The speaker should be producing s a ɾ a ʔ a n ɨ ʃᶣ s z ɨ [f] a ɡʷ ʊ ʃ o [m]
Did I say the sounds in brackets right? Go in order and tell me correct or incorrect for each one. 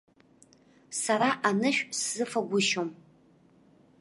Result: correct, correct

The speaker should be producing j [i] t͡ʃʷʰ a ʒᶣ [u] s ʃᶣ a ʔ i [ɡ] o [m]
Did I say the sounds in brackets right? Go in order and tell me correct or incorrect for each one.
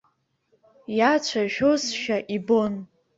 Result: incorrect: a, incorrect: o, incorrect: b, incorrect: n

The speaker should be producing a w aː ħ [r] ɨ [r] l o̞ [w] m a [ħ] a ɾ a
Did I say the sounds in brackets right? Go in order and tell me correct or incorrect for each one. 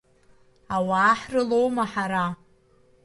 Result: correct, incorrect: none, correct, correct

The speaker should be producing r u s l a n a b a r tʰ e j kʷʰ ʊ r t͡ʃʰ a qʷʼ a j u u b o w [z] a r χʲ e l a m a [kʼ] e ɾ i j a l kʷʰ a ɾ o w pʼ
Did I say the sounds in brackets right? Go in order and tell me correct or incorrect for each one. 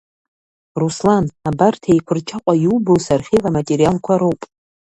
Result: incorrect: s, incorrect: tʼ

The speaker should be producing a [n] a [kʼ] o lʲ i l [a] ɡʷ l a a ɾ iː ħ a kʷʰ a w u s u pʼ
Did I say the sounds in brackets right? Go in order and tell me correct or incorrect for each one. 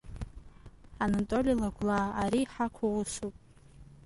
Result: correct, incorrect: tʼ, correct

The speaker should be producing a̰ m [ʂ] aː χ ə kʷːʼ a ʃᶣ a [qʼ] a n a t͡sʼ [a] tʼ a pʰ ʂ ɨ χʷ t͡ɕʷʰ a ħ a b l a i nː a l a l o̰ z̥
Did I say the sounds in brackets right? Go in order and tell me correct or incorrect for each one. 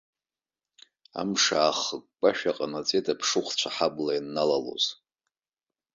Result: correct, correct, incorrect: e

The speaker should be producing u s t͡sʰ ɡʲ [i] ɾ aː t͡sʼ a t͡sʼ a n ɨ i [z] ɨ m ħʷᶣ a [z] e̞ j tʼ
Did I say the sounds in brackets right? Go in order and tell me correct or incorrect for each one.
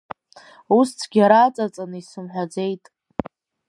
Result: incorrect: a, incorrect: s, incorrect: d͡z

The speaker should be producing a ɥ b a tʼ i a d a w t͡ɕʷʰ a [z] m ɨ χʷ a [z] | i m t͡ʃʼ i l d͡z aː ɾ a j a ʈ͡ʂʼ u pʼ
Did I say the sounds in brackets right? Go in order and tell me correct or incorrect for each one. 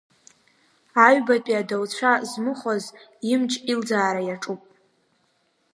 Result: correct, correct

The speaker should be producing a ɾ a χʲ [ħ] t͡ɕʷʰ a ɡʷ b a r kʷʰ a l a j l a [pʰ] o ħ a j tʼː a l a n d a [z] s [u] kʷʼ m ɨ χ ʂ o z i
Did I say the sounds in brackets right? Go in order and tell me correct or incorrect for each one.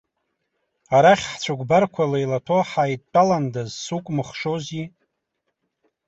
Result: correct, incorrect: tʰ, correct, correct

